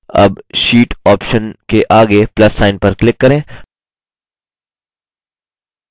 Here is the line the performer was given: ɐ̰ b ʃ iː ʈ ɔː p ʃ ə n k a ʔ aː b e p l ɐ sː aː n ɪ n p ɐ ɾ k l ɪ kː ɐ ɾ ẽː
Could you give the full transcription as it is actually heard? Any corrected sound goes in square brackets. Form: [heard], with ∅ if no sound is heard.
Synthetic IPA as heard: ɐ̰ b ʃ iː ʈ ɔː p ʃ ə n k [e] ʔ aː [ɡ] e p l ɐ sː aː [∅] ɪ n p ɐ ɾ k l ɪ kː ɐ ɾ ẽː